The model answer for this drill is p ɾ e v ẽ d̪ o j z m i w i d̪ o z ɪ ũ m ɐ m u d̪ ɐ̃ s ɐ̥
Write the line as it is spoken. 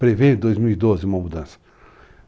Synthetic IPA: p ɾ e v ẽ d̪ o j z m i w i d̪ o z ɪ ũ m ɐ m u d̪ ɐ̃ s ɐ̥